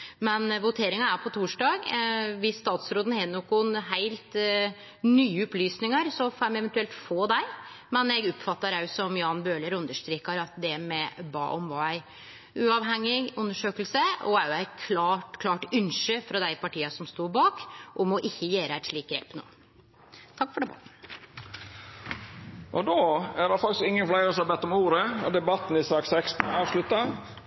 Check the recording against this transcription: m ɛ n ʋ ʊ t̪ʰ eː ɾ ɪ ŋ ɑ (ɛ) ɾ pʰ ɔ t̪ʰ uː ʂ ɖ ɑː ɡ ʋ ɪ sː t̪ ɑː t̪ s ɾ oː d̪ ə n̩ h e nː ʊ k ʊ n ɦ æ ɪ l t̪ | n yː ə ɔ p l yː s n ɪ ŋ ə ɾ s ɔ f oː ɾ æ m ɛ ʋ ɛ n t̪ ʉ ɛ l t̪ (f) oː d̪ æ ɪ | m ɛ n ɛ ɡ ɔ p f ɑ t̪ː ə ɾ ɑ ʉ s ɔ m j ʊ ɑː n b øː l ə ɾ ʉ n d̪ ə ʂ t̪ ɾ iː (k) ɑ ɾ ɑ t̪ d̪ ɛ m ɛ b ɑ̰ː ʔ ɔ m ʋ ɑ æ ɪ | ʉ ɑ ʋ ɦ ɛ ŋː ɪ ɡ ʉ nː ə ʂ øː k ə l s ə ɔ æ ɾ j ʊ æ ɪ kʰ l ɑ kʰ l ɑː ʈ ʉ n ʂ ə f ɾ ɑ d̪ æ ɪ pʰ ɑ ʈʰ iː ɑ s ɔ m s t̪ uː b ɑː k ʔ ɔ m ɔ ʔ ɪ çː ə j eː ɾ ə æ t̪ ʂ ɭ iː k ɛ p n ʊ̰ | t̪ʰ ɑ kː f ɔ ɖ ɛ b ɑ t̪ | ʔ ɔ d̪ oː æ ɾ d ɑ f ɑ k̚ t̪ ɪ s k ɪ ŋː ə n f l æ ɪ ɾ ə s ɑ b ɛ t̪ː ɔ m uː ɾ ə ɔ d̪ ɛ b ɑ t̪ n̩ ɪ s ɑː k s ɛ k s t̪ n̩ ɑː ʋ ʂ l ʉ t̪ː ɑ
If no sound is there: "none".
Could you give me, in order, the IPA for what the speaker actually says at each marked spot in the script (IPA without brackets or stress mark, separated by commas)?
æ, f, k